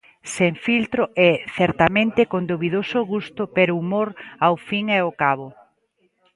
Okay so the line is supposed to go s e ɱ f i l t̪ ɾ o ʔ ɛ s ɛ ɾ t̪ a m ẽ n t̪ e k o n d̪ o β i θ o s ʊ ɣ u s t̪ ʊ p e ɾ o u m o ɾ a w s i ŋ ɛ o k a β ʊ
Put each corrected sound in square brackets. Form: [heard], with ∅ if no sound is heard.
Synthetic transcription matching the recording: s e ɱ f i l t̪ ɾ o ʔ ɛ [θ] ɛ ɾ t̪ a m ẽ n t̪ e k o n d̪ o β i [ð] o s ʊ ɣ u s t̪ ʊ p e ɾ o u m o ɾ a w [f] i ŋ ɛ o k a β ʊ